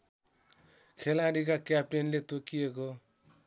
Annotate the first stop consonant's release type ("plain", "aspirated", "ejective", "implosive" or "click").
aspirated